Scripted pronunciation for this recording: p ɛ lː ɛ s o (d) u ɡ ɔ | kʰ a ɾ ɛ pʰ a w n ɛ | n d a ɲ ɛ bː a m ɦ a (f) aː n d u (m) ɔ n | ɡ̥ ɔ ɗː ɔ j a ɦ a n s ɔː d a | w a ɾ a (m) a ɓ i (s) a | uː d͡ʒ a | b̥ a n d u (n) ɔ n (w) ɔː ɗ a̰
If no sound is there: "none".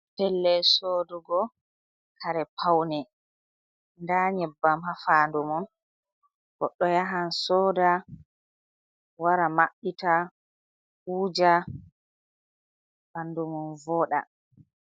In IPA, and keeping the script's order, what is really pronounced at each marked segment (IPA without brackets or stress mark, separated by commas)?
d, f, m, m, t, m, v